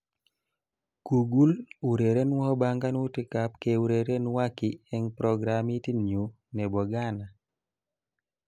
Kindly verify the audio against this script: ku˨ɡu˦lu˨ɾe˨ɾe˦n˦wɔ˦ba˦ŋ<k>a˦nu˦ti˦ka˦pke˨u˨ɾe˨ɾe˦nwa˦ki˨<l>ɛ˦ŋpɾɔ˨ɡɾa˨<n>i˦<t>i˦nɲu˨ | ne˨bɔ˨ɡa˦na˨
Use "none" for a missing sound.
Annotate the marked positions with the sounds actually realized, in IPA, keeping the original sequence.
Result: ɡ, none, m, t

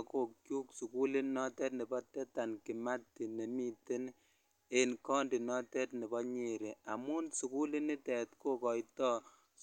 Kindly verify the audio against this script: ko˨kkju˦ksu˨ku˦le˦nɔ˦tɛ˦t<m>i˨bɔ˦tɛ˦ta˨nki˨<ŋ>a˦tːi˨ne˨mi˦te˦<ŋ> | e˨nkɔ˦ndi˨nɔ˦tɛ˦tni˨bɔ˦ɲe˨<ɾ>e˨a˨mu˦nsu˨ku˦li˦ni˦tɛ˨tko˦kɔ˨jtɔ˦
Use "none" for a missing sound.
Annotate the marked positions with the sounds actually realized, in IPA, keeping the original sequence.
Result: n, m, n, ɾ

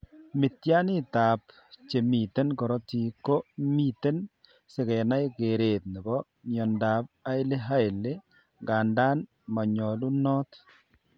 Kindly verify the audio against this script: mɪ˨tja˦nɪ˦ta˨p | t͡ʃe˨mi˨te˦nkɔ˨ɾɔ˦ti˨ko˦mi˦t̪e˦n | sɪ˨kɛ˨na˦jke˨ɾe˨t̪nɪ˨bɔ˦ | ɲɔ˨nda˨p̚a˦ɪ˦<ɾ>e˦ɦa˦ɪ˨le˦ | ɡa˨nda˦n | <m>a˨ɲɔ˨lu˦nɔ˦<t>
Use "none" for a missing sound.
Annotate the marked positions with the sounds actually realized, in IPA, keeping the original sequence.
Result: l, m, t

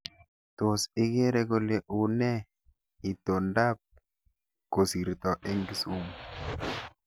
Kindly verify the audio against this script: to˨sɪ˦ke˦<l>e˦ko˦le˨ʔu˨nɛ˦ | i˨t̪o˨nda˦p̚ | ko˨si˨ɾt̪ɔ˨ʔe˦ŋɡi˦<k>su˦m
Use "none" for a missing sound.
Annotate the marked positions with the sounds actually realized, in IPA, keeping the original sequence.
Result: ɾ, none

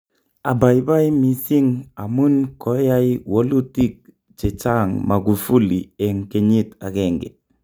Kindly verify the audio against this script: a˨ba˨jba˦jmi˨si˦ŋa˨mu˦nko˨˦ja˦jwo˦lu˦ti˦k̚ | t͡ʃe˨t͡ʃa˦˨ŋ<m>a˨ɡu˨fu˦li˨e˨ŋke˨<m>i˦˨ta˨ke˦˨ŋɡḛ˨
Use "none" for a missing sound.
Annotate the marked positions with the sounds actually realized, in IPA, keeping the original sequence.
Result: m, ɲ

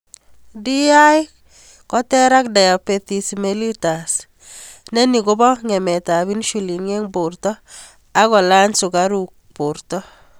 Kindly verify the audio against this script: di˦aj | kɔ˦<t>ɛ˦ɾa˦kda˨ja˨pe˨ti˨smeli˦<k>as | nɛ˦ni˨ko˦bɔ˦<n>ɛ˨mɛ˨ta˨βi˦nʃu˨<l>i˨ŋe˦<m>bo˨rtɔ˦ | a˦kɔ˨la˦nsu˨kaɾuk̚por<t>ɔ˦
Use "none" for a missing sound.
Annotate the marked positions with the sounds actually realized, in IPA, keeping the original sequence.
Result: t, t, ŋ, l, ŋ, t

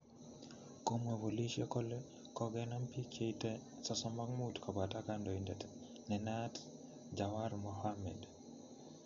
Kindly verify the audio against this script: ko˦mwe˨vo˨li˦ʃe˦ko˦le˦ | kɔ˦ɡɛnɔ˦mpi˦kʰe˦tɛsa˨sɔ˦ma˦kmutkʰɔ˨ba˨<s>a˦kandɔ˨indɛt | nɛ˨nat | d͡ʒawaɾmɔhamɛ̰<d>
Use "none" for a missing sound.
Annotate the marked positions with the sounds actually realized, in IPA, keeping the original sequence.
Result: t, d

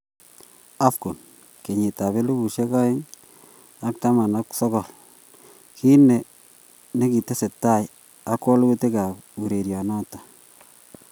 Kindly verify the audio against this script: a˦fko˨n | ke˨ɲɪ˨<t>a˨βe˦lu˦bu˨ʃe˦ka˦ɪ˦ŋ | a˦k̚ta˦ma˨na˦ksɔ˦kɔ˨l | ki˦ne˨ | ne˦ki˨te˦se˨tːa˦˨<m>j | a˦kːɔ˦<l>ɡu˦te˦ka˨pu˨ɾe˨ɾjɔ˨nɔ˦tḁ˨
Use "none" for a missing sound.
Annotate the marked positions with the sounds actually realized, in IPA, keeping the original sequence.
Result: t, none, l

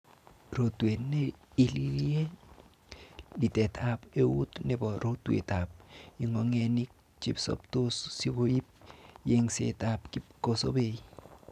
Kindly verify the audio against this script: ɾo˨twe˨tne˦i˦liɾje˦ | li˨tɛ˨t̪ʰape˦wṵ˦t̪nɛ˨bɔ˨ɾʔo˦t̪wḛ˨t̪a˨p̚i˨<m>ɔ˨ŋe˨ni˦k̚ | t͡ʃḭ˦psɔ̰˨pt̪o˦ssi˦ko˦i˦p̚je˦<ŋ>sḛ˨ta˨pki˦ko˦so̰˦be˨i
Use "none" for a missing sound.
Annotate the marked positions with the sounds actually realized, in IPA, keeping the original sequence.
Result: ŋ, ŋ

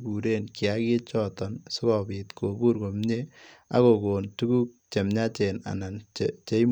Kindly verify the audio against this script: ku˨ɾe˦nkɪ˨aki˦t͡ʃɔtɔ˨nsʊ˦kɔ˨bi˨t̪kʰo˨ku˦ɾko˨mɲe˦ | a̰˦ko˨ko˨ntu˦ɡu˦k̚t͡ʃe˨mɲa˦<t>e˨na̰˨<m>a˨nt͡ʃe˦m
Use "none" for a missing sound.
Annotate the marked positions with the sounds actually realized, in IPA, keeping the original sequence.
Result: t͡ʃ, n

